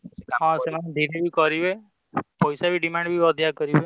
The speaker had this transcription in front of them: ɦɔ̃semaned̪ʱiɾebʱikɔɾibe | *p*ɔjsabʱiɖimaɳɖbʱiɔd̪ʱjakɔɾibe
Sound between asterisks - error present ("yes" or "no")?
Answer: no